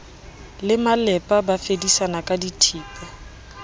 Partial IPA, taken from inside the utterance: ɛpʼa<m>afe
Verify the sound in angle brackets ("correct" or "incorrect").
incorrect